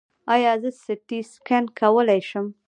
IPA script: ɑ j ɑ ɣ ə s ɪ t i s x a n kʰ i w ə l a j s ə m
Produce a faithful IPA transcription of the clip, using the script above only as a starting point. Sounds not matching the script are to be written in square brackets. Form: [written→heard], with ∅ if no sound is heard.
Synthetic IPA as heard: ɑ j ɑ [ɣ→z] ə s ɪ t i s [x→k] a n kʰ [i→a] w ə l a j [s→ʃ] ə m